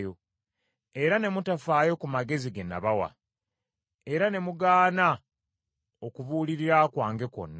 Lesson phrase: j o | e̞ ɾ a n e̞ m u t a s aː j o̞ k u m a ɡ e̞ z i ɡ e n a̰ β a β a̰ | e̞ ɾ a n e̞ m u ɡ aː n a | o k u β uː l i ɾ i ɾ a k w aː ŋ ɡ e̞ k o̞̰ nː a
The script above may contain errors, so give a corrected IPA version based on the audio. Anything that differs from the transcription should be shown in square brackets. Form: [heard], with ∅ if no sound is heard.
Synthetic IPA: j o | e̞ ɾ a n e̞ m u t a [f] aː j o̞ k u m a ɡ e̞ z i ɡ e n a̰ β a [w] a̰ | e̞ ɾ a n e̞ m u ɡ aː n a | o k u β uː l i ɾ i ɾ a k w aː ŋ ɡ e̞ k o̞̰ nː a